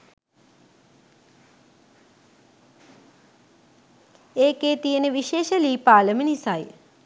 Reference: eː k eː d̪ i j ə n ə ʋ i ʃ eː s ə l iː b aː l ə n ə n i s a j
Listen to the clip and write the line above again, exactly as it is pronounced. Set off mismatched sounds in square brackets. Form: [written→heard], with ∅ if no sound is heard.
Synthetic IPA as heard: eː k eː [d̪→t̪] i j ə n ə ʋ i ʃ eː [s→ʃ] ə l iː [b→p] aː l ə [n→m] ə n i s a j